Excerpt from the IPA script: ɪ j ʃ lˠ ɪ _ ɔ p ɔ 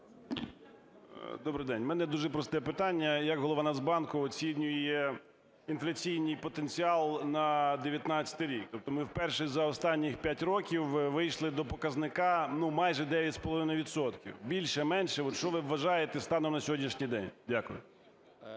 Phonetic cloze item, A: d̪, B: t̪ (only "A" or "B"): A